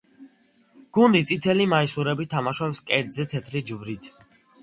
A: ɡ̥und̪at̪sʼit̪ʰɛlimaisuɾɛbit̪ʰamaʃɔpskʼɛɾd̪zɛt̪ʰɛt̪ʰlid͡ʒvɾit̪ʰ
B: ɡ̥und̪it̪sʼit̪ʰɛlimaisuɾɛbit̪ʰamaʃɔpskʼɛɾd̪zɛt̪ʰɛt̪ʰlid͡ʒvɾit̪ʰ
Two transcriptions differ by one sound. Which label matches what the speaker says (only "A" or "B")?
B